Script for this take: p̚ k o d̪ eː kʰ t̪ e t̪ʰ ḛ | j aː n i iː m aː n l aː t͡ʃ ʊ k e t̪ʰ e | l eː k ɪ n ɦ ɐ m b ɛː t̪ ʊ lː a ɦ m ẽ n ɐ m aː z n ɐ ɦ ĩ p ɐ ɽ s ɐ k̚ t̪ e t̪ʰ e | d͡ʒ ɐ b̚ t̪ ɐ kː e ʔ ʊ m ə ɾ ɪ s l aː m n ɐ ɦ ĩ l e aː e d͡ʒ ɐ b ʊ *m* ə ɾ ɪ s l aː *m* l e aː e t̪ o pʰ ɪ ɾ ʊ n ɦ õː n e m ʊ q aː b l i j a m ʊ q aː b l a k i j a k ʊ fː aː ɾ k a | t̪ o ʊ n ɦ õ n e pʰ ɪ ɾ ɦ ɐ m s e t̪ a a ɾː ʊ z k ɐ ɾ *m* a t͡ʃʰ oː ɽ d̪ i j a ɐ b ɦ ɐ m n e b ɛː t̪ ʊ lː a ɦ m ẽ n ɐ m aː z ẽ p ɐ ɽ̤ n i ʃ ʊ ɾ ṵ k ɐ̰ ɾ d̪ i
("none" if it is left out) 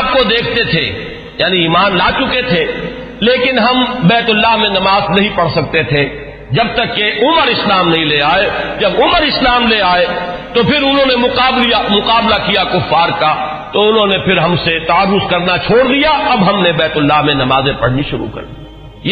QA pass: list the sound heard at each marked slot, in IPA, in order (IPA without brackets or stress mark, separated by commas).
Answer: m, m, n